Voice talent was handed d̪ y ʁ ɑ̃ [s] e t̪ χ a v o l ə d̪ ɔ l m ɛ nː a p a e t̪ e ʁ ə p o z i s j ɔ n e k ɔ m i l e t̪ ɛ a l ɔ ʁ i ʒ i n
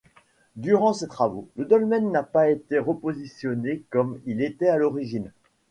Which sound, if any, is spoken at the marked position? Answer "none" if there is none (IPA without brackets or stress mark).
s